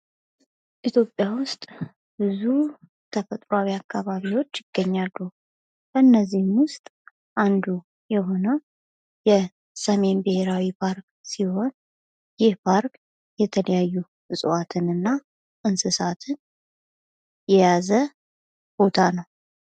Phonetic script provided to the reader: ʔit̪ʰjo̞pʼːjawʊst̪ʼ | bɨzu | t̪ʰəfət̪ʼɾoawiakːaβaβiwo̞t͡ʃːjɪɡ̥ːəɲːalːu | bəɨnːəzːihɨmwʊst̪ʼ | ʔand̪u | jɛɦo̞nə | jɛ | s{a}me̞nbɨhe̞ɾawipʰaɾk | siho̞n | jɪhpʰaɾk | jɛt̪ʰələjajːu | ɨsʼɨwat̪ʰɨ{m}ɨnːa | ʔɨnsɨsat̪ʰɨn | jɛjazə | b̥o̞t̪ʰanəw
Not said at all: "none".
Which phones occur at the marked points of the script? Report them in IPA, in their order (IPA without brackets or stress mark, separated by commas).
ə, n